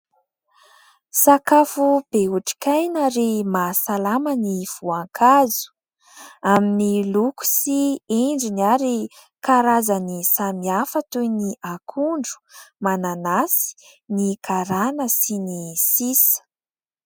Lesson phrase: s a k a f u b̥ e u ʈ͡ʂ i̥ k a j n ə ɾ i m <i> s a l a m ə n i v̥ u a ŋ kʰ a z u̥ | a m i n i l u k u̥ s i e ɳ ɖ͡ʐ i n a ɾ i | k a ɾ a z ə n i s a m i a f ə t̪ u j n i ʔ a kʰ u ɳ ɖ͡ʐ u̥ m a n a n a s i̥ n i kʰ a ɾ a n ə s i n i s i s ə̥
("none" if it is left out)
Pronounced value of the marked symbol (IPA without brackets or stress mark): a